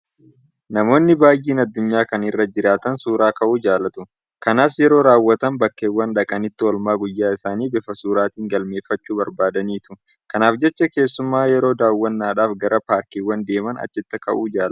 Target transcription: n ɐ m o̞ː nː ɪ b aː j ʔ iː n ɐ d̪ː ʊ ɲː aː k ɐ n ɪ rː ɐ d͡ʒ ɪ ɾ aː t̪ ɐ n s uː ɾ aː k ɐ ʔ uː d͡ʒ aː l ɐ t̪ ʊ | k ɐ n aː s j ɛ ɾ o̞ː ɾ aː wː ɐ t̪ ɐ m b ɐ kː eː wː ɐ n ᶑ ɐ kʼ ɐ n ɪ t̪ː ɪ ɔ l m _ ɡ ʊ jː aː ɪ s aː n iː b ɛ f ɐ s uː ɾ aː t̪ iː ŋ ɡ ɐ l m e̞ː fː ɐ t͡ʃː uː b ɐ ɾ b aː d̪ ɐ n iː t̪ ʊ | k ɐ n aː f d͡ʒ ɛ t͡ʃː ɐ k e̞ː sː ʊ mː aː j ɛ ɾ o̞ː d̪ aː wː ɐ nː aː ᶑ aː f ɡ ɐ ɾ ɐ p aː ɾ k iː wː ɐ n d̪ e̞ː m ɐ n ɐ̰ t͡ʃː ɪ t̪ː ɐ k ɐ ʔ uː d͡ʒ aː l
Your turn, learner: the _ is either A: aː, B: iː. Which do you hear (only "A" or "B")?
A